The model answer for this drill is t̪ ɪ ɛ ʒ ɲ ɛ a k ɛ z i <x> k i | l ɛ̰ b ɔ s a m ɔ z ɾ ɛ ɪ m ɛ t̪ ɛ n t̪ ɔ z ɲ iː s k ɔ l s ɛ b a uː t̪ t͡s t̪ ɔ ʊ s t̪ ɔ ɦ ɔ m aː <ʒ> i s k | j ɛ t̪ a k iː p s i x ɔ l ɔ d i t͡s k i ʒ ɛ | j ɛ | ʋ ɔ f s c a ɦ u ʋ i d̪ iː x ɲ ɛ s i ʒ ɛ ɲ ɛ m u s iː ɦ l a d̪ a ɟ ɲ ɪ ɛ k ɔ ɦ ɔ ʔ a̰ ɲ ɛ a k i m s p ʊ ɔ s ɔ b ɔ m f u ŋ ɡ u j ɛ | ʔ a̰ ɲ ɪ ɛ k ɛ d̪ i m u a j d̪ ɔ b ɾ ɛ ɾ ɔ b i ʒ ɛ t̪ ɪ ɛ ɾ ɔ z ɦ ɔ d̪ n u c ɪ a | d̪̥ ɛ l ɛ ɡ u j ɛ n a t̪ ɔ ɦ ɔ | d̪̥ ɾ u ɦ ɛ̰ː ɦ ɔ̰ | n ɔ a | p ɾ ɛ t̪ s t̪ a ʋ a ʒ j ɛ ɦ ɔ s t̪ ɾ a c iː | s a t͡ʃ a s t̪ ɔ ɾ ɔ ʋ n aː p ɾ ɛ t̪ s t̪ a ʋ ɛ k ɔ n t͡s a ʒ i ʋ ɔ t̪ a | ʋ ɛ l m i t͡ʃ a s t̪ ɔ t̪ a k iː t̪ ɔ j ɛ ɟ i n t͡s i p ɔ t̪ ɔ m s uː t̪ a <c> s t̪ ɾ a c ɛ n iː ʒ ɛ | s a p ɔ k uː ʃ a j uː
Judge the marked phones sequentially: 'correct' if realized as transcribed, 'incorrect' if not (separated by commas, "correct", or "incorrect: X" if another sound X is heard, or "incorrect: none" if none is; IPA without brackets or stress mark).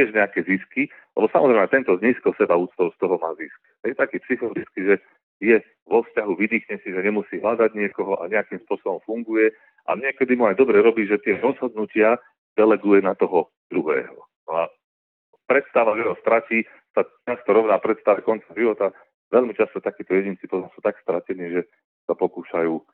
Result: incorrect: s, incorrect: z, incorrect: k